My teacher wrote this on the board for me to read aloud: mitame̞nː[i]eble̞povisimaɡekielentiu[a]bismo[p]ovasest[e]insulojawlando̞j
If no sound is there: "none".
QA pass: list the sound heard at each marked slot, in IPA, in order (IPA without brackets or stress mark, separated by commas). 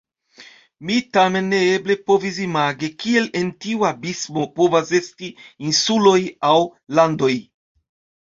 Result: e, a, p, i